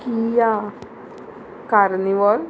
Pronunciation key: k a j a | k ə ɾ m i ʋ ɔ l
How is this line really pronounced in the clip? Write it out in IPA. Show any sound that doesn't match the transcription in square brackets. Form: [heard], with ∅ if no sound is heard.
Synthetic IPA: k [i] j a | k [a] ɾ [n] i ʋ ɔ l

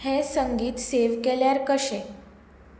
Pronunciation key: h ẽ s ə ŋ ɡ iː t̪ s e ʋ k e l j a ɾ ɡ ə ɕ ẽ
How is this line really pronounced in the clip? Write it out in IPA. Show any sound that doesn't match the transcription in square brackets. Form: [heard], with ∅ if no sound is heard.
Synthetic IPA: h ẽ s ə ŋ ɡ iː t̪ s e ʋ k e l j a ɾ [k] ə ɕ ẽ

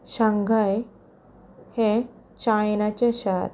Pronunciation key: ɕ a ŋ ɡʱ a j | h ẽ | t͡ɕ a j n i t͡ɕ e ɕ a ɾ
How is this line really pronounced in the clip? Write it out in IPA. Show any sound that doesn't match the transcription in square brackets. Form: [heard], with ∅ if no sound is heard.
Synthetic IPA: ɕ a ŋ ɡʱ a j | h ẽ | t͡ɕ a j n [a] t͡ɕ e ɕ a ɾ

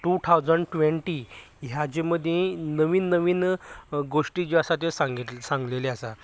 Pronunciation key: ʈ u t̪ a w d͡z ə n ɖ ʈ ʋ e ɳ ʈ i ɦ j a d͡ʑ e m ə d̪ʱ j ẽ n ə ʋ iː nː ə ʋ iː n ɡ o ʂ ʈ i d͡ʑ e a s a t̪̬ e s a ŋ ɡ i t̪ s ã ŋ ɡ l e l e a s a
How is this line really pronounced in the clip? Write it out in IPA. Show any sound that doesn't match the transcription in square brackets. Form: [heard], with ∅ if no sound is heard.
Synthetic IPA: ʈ u [t̪ʰ] a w d͡z ə [ɳ] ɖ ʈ ʋ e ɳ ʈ i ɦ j a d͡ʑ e m ə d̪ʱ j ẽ n ə ʋ iː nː ə ʋ iː n ɡ o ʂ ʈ i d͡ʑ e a s a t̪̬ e s a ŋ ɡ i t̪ s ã ŋ ɡ l e l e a s a

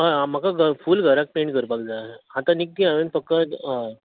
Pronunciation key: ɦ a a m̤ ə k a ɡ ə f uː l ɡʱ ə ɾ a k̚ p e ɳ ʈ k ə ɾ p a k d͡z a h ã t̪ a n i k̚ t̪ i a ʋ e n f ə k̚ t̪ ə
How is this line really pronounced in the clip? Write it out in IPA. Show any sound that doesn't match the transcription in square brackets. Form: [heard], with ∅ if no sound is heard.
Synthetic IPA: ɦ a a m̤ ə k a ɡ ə f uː l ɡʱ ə ɾ a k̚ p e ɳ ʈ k ə ɾ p a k d͡z a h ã t̪ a n i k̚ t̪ i a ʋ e n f ə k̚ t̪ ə

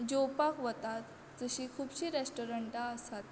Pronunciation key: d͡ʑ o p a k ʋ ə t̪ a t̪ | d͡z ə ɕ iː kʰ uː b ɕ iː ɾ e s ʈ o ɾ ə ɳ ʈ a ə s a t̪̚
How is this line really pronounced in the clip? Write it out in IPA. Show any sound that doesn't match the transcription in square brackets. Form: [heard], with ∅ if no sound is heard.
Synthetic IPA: d͡ʑ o p a k ʋ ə t̪ a t̪ | d͡z ə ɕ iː kʰ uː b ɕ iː ɾ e s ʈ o ɾ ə ɳ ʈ a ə s a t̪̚

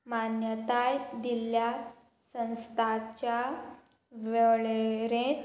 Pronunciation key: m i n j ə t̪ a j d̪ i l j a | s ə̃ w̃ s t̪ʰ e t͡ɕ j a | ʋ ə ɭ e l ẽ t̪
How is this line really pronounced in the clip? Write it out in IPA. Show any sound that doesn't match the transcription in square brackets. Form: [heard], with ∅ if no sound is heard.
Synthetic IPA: m [a] n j ə t̪ a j d̪ i l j a | s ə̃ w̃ s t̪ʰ [a] t͡ɕ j a | ʋ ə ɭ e [ɾ] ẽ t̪

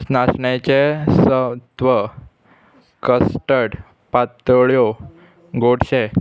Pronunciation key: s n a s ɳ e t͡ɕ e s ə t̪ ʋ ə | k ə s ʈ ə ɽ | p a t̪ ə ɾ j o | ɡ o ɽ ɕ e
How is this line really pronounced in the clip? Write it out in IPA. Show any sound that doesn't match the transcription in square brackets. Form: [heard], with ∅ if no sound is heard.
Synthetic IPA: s n a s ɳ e t͡ɕ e s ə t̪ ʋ ə | k ə s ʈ ə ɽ | p a t̪ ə [ɭ] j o | ɡ o ɽ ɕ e

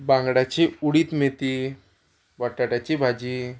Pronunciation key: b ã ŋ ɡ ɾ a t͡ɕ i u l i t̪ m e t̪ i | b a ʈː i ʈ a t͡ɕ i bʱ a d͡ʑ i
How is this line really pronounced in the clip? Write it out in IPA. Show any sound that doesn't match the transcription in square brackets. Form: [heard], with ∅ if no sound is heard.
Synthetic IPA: b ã ŋ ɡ [ɽ] a t͡ɕ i u [ɽ] i t̪ m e t̪ i | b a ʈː [a] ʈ a t͡ɕ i bʱ a d͡ʑ i

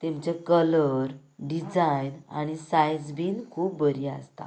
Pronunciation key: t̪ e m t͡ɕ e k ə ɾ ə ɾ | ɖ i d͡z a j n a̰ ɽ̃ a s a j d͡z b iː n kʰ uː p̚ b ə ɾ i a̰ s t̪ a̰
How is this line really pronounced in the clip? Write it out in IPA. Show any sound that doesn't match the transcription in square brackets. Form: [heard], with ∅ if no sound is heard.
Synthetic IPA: t̪ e m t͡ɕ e k ə [l] ə ɾ | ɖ i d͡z a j n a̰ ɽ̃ [i] s a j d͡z b iː n kʰ uː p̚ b ə ɾ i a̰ s t̪ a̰

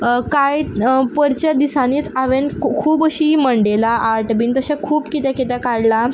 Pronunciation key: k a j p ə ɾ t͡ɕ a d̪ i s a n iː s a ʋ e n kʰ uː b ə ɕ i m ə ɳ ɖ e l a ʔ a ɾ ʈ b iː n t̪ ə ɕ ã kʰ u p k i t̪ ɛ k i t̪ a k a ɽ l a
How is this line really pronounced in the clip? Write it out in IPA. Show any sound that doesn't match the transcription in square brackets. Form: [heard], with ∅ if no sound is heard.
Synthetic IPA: k a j p ə ɾ t͡ɕ a d̪ i s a n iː [t͡s] a ʋ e n kʰ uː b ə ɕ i m ə ɳ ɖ e l a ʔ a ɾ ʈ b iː n t̪ ə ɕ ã kʰ [uː] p k i t̪ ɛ k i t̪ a k a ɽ l a

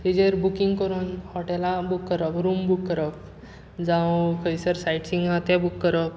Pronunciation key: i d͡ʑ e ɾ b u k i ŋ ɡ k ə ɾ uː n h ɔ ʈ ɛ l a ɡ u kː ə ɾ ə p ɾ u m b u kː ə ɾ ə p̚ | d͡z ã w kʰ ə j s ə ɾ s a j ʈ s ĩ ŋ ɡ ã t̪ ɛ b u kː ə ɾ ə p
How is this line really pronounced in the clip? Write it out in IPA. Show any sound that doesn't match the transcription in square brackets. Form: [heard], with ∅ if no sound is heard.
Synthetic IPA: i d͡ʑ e ɾ b u k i ŋ ɡ k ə ɾ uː n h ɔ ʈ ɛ l a [b] u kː ə ɾ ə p ɾ u m b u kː ə ɾ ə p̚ | d͡z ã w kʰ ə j s ə ɾ s a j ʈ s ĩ ŋ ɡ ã t̪ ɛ b u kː ə ɾ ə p

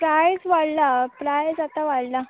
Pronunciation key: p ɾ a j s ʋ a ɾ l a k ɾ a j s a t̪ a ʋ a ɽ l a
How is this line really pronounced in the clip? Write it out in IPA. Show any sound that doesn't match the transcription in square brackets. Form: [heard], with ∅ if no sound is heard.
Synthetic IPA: p ɾ a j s ʋ a [ɽ] l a [p] ɾ a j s a t̪ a ʋ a ɽ l a

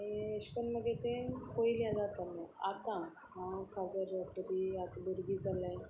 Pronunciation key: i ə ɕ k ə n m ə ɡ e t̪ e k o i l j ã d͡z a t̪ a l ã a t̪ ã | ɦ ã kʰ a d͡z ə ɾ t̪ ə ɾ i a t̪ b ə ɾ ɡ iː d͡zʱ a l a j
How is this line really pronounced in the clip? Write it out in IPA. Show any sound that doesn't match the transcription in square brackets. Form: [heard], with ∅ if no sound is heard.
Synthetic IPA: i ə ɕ k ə n m ə ɡ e t̪ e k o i l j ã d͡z a t̪ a l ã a t̪ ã | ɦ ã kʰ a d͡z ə ɾ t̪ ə ɾ i a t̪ b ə ɾ ɡ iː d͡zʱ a l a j

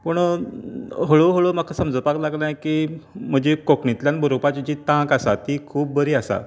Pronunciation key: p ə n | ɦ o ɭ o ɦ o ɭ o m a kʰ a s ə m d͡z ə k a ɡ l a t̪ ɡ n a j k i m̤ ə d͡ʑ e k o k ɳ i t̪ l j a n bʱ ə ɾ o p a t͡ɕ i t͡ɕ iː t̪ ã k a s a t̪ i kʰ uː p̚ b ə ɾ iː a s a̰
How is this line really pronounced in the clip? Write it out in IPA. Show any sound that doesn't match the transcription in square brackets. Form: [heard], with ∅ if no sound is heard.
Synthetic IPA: p ə [ɳ] | ɦ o ɭ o ɦ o ɭ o m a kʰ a s ə m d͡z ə [p] a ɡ l a [∅] ɡ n a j k i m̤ ə d͡ʑ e k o k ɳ i t̪ l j a n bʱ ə ɾ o p a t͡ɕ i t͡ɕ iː t̪ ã k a s a t̪ i kʰ uː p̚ b ə ɾ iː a s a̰

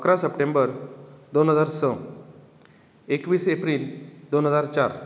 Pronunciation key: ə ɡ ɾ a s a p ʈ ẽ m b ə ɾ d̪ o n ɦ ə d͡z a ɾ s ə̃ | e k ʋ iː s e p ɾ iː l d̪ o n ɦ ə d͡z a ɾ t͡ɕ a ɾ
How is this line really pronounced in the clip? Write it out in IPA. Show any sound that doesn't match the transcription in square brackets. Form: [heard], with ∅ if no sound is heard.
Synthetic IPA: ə [k] ɾ a s [ə] p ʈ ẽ m b ə ɾ d̪ o n ɦ ə d͡z a ɾ s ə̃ | e k ʋ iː s e p ɾ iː l d̪ o n ɦ ə d͡z a ɾ t͡ɕ a ɾ

